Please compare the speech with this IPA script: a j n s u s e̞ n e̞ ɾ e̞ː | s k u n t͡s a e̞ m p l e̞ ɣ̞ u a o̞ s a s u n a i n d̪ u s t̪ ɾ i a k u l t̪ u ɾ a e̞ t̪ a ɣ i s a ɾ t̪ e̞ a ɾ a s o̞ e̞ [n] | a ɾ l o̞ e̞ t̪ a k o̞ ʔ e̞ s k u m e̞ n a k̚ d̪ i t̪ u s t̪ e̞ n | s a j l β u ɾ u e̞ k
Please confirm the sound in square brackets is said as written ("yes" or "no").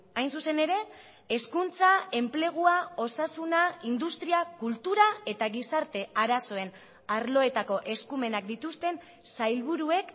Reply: yes